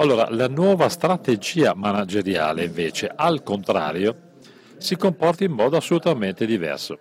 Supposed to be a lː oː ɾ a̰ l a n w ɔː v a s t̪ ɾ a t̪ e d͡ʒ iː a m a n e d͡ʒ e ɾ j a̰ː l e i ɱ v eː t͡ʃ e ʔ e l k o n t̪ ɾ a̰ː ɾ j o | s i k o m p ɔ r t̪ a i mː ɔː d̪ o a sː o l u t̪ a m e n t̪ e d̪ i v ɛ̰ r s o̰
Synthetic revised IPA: a lː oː ɾ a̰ l a n w ɔː v a s t̪ ɾ a t̪ e d͡ʒ iː a m a n a d͡ʒ e ɾ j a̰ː l e i ɱ v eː t͡ʃ e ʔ a l k o n t̪ ɾ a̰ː ɾ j o | s i k o m p ɔ r t̪ a i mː ɔː d̪ o a sː o l u t̪ a m e n t̪ e d̪ i v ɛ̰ r s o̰